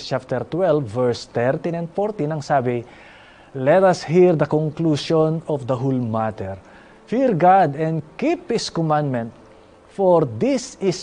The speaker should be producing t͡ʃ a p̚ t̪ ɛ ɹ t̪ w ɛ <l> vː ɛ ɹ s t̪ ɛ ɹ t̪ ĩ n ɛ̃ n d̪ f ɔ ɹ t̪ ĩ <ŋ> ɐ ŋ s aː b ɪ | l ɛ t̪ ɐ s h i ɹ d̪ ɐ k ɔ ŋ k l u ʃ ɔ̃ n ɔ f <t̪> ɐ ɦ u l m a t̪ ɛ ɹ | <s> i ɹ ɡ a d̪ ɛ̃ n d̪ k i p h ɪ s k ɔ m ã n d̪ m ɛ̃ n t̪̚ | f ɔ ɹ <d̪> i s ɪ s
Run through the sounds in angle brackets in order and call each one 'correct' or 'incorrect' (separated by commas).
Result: correct, incorrect, incorrect, incorrect, correct